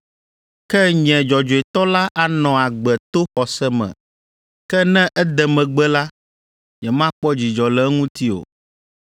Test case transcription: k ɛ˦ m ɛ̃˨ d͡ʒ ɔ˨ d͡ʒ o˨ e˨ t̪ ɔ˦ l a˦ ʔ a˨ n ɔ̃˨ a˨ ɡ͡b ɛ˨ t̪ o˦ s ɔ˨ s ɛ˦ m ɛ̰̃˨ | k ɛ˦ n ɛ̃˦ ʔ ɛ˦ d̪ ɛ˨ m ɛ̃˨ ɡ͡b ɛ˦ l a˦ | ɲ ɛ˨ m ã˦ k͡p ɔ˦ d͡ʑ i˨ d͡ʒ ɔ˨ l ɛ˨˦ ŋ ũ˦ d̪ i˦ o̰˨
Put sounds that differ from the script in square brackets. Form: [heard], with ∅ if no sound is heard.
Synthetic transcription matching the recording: k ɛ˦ [ɲ] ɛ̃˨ d͡ʒ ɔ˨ d͡ʒ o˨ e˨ t̪ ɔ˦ l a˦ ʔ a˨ n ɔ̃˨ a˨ ɡ͡b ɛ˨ t̪ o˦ [x] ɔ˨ s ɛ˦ m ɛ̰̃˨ | k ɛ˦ n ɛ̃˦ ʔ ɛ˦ d̪ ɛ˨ m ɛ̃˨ ɡ͡b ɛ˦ l a˦ | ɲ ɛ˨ m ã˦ k͡p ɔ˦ d͡ʑ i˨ d͡ʒ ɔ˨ l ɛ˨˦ ŋ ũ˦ [t̪] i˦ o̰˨